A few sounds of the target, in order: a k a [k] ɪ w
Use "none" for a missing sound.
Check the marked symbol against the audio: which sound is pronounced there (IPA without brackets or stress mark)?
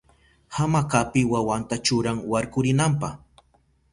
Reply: p